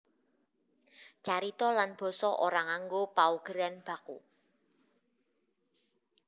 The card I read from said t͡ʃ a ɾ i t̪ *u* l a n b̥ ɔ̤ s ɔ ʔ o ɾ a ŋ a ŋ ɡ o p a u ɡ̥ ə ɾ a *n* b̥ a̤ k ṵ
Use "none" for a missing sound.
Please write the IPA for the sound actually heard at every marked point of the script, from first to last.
ɔ, n

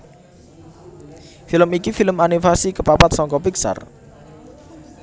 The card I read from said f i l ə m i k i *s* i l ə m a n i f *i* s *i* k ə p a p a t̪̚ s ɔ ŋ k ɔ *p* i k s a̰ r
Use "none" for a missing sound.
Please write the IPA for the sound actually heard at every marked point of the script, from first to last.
f, a, i, p

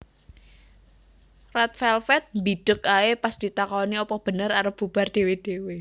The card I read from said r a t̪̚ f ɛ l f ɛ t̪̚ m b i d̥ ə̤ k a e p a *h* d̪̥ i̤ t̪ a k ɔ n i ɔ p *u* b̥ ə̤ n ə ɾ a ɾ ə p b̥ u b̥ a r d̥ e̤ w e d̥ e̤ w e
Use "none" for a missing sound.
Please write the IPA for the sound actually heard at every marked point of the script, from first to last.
s, ɔ

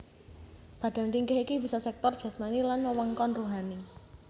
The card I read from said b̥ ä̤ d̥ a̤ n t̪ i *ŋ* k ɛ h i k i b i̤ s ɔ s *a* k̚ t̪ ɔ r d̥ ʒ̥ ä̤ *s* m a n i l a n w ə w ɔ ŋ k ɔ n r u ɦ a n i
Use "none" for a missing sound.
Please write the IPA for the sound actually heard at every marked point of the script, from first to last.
ŋ, ɛ, s

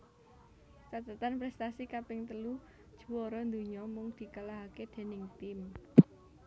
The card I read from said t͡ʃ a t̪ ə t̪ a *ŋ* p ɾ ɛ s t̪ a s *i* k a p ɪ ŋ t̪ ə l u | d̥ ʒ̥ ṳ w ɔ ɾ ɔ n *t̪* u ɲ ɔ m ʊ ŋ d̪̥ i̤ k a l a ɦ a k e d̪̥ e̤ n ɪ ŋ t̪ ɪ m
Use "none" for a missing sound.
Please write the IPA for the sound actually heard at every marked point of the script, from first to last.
n, i, d̪

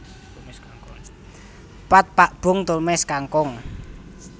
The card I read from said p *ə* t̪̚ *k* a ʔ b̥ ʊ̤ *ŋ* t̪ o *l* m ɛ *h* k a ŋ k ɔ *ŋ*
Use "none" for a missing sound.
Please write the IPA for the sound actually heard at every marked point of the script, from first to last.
a, p, ŋ, l, s, ŋ

